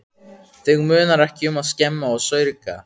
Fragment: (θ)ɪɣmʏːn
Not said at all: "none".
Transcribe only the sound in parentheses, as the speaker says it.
θ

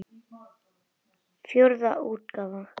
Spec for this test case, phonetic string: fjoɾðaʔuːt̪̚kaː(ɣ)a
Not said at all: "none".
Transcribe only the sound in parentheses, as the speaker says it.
v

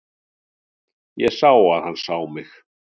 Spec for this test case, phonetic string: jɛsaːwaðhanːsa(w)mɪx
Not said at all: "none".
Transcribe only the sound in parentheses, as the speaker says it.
w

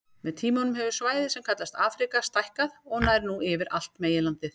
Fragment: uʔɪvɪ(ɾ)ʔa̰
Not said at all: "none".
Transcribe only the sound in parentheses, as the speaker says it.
ɾ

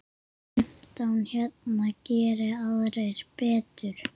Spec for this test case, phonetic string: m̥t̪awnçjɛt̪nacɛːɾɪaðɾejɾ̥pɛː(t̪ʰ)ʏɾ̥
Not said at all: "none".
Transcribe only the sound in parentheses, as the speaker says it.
t̪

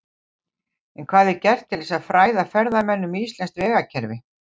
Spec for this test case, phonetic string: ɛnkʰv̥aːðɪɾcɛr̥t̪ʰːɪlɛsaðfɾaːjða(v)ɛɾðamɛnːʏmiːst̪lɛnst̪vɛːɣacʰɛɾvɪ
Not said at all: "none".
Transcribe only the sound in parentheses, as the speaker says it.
f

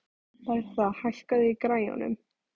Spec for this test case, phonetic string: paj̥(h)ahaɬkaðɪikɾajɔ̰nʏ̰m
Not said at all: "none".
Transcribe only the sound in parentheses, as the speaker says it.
θ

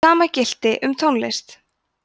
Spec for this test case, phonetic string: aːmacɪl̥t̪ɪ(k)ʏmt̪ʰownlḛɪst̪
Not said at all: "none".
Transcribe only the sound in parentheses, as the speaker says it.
ʔ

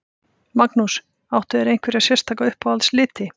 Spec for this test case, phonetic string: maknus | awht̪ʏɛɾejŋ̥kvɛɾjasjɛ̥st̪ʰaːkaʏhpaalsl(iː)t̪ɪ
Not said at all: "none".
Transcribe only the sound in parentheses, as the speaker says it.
ɪː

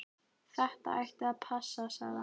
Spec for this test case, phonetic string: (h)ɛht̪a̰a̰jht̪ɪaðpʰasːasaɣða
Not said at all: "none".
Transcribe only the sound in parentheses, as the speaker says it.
θ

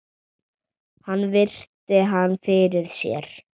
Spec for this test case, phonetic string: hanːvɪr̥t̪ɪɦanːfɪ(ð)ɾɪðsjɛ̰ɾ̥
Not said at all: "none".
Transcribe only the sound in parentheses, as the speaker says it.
none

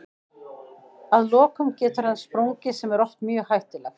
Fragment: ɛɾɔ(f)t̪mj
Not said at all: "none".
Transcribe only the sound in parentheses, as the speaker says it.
h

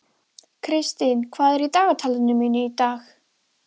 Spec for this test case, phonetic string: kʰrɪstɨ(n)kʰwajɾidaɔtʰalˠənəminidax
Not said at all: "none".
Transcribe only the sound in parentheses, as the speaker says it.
n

